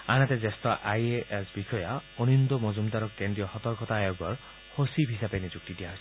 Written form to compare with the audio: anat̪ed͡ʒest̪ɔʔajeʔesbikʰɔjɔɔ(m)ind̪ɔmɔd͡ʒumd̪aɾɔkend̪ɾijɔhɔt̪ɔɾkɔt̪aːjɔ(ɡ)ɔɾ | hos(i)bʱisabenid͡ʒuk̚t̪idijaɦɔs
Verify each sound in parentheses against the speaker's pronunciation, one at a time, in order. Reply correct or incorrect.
incorrect, correct, correct

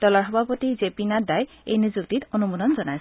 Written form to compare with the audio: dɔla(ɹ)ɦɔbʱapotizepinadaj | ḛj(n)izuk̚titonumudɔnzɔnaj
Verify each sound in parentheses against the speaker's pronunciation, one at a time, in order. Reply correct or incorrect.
correct, correct

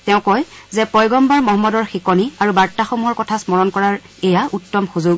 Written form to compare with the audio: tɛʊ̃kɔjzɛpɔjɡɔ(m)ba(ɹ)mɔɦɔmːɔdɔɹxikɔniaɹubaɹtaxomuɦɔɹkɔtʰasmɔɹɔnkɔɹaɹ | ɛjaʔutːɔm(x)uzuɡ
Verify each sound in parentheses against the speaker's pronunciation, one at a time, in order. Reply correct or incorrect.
correct, correct, correct

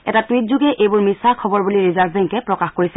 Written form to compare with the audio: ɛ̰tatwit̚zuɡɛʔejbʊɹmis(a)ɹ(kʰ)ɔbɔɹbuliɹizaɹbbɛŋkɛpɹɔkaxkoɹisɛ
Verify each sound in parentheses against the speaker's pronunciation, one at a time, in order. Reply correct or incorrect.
correct, correct

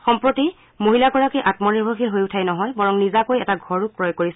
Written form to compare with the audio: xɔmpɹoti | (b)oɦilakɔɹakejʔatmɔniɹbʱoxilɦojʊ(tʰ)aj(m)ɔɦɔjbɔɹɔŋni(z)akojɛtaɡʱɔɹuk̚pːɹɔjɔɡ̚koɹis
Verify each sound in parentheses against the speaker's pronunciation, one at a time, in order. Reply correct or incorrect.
incorrect, correct, incorrect, correct

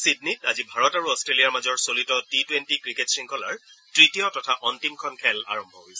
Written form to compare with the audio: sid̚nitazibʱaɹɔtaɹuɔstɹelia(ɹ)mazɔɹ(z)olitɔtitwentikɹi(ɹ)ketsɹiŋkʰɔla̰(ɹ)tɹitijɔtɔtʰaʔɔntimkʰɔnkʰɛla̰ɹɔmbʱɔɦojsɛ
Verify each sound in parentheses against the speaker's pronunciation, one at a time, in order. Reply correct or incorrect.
correct, incorrect, incorrect, correct

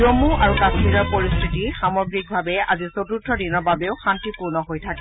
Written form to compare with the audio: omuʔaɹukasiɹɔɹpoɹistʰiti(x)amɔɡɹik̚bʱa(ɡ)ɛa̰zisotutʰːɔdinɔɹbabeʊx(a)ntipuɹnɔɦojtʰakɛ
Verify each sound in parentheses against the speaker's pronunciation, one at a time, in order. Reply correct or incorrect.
correct, incorrect, correct

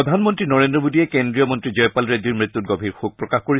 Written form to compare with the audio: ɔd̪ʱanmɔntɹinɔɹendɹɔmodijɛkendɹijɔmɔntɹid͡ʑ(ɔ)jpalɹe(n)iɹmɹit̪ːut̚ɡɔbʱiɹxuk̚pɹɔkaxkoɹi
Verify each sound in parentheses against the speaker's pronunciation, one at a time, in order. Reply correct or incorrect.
correct, incorrect

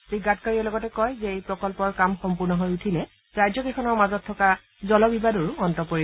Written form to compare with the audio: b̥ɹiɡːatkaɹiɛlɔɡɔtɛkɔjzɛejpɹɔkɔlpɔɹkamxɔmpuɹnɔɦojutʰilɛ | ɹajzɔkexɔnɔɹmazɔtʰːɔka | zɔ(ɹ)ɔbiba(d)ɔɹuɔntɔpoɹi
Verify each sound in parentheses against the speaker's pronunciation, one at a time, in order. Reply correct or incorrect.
incorrect, correct

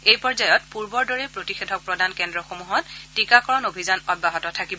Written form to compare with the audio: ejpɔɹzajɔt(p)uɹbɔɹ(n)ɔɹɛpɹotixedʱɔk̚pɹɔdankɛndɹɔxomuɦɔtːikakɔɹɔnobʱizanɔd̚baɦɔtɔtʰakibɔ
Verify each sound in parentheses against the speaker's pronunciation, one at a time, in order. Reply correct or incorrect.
correct, incorrect

